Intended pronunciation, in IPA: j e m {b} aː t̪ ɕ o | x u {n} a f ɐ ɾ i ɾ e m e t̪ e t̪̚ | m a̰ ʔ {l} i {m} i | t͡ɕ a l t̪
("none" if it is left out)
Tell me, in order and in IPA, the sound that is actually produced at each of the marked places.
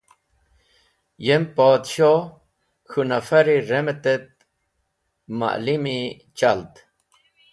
p, n, l, m

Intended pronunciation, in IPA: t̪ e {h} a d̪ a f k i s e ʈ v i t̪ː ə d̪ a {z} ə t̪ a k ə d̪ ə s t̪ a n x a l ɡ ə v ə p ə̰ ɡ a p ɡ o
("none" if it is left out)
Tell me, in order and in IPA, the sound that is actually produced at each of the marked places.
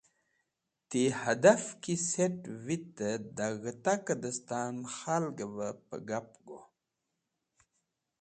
h, ɣ

